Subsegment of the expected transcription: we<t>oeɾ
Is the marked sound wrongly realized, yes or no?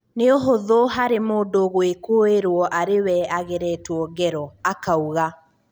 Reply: yes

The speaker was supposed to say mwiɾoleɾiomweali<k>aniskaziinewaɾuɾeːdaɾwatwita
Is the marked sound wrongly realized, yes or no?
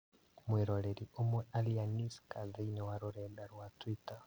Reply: yes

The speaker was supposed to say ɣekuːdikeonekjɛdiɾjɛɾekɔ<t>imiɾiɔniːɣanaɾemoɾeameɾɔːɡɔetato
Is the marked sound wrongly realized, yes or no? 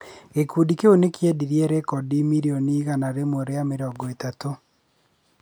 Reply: yes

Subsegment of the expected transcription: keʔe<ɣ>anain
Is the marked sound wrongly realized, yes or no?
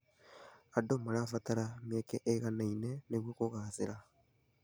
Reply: no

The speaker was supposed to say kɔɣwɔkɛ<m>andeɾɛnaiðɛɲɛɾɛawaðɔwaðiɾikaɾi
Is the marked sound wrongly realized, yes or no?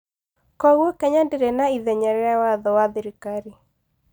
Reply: yes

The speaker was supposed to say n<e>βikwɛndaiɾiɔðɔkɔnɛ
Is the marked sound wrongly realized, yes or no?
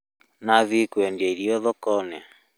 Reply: yes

